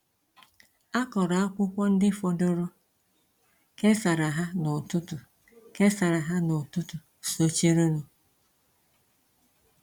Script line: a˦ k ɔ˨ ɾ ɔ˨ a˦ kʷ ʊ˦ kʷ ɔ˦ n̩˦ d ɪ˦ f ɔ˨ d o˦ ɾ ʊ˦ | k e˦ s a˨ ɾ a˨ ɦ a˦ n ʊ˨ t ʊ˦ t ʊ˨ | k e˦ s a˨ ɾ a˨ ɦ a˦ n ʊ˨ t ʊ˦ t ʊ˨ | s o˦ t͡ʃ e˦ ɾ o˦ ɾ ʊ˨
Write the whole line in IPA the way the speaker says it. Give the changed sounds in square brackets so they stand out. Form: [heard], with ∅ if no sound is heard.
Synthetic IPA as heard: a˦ k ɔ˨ ɾ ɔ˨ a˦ kʷ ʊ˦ kʷ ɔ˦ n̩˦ d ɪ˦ f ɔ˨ d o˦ ɾ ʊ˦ | k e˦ s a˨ ɾ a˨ ɦ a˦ n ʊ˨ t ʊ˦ t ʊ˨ | k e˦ s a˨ ɾ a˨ ɦ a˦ n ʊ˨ t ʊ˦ t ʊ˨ | s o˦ t͡ʃ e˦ ɾ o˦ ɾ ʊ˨